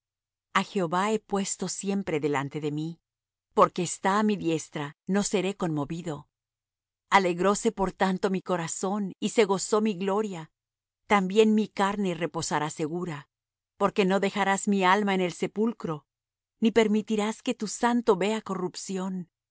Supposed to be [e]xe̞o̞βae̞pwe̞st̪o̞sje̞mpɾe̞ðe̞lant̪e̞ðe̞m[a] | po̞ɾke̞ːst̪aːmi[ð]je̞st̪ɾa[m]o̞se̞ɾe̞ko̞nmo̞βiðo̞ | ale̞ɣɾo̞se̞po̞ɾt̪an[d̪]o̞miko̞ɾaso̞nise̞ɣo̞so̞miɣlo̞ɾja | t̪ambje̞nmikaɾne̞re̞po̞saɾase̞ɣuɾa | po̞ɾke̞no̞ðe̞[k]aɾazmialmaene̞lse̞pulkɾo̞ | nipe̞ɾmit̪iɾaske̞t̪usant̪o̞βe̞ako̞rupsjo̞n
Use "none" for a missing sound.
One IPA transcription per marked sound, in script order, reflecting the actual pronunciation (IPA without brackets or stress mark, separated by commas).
a, i, ð, n, t̪, x